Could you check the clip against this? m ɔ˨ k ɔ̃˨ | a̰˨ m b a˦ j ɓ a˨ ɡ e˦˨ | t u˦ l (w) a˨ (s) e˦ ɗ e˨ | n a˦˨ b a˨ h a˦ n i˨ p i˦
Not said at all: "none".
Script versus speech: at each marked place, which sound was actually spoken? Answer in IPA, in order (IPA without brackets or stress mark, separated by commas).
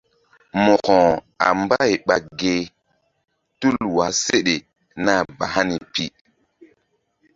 w, s